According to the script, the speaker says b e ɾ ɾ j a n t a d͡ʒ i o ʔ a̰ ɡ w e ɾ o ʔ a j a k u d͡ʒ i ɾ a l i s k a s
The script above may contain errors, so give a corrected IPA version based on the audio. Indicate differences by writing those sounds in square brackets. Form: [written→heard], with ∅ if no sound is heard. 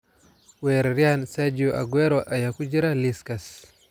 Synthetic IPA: [b→w] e ɾ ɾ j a n [t→s] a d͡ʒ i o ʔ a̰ ɡ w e ɾ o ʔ a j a k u d͡ʒ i ɾ a l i s k a s